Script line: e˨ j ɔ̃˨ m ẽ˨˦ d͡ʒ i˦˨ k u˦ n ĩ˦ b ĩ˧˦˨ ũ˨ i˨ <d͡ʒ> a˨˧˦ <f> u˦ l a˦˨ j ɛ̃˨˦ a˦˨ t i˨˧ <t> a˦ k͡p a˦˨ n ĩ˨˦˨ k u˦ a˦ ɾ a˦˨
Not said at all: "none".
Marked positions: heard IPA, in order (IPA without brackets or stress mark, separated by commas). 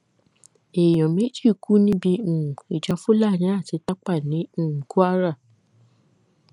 d͡ʒ, f, t